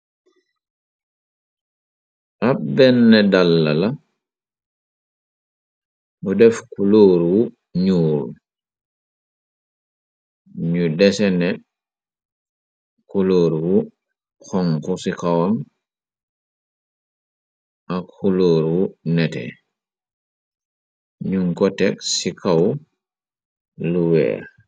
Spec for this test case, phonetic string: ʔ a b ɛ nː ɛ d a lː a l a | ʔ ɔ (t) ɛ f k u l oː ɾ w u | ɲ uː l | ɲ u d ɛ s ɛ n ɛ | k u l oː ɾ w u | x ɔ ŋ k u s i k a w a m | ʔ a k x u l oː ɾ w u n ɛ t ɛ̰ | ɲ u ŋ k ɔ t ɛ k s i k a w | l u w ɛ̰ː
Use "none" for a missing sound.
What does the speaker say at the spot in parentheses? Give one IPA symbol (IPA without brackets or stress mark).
d